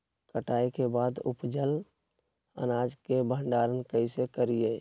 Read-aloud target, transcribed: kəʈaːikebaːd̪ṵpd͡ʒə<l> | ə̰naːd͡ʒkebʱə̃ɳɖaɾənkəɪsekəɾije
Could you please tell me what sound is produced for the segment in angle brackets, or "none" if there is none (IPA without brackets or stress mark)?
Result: l